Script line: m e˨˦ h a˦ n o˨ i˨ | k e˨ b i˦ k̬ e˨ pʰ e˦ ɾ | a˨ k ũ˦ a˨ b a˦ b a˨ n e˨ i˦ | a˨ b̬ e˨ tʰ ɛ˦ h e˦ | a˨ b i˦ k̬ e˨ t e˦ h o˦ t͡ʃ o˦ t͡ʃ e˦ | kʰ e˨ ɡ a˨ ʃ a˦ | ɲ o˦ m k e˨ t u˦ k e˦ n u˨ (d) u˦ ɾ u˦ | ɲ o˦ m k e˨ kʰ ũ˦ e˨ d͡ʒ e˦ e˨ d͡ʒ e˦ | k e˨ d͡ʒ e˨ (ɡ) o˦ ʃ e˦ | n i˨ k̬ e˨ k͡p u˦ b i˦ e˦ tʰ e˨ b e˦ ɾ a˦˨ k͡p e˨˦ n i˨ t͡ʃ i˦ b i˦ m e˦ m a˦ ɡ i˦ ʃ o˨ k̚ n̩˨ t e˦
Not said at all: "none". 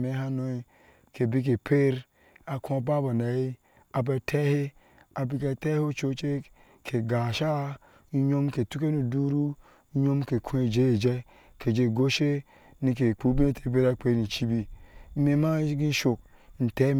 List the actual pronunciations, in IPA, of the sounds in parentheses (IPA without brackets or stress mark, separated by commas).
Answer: d, ɡ